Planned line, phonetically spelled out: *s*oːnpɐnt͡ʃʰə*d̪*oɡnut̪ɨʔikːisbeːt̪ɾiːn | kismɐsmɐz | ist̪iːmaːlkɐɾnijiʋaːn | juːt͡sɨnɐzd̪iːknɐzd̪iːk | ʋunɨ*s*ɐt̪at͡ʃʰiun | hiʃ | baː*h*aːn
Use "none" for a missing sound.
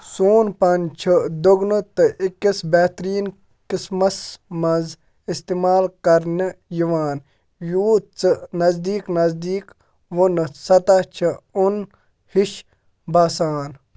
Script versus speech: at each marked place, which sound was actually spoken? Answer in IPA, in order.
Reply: s, d̪, s, s

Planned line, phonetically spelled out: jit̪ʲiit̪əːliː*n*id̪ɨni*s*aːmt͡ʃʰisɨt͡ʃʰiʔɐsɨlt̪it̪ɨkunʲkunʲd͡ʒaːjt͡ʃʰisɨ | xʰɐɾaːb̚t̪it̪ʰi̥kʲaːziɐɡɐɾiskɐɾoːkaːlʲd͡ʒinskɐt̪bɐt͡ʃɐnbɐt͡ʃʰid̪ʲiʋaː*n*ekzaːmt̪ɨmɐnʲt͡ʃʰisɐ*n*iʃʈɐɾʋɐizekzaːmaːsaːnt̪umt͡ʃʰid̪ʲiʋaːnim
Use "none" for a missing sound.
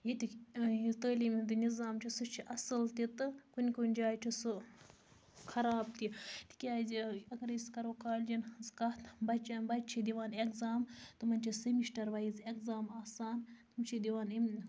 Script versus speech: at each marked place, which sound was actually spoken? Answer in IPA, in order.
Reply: m, z, n, m

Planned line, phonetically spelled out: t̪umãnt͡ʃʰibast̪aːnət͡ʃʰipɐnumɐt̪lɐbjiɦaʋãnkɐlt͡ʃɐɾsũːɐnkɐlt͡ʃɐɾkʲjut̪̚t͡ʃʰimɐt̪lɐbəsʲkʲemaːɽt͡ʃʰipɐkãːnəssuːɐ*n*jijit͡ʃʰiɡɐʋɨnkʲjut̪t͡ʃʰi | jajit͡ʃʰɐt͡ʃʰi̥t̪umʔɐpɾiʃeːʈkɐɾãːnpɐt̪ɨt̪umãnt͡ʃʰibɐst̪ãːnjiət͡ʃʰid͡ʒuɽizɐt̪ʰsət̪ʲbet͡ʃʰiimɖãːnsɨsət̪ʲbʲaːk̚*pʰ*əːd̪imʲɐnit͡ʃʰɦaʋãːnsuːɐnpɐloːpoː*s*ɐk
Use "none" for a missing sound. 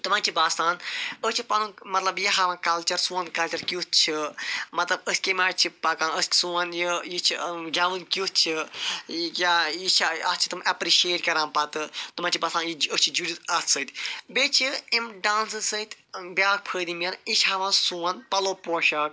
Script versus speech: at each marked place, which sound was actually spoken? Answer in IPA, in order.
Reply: n, pʰ, ʃ

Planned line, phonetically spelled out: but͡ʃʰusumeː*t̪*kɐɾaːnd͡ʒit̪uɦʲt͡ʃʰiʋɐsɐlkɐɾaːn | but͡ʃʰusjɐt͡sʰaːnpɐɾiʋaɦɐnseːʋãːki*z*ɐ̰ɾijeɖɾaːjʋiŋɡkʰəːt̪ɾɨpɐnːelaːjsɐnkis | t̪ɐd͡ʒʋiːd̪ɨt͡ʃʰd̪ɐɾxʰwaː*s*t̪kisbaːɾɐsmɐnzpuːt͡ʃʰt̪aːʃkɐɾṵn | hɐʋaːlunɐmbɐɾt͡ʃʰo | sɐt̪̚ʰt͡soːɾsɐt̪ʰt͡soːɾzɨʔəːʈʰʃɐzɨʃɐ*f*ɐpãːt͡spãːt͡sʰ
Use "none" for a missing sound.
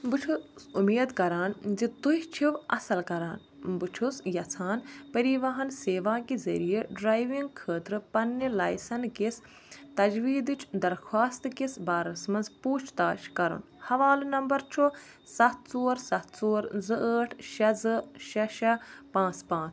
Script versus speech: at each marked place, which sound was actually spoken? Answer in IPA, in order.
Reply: d̪, z, s, ʃ

